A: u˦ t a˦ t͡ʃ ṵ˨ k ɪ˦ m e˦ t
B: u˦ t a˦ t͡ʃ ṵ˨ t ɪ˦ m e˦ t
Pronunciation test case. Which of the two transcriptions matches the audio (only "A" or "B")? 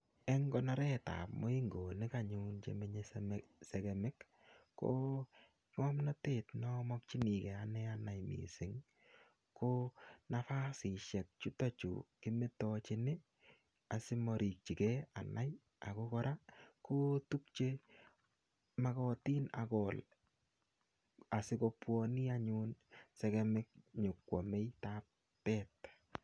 A